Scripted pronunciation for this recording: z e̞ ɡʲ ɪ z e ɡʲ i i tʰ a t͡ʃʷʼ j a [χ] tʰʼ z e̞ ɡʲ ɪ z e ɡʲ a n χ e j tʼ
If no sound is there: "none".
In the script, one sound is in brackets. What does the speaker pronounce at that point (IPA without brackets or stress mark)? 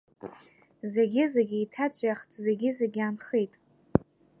χ